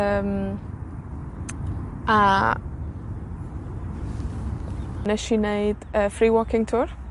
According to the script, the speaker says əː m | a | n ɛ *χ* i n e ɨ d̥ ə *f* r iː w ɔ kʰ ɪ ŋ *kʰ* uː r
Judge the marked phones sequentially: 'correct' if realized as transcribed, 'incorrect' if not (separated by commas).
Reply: incorrect, correct, incorrect